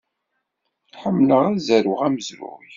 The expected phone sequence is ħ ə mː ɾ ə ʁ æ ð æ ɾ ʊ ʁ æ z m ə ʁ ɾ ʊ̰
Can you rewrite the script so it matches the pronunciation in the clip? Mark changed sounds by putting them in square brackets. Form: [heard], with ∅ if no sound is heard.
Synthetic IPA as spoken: ħ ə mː [l] ə ʁ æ [z] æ ɾ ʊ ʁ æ [∅] m ə [z] ɾ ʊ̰